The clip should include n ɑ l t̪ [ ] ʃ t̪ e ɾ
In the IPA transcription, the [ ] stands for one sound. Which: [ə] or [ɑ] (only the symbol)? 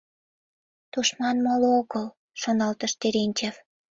ə